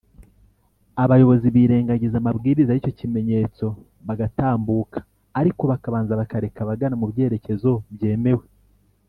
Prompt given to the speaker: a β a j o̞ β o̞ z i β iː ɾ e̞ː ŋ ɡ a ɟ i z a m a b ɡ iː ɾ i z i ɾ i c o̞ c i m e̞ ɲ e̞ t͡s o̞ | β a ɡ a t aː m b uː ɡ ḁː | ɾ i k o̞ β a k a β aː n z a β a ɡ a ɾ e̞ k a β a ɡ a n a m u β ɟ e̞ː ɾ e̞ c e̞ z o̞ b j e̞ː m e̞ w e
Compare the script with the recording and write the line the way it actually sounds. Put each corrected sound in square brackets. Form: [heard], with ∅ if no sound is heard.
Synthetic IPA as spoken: a β a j o̞ β o̞ z i β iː ɾ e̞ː ŋ ɡ a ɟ i z a m a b ɡ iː ɾ i z [a] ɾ i c o̞ c i m e̞ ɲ e̞ t͡s o̞ | β a ɡ a t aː m b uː [k] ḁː | ɾ i k o̞ β a k a β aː n z a β a [k] a ɾ e̞ k a β a ɡ a n a m u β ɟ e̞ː ɾ e̞ c e̞ z o̞ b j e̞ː m e̞ w e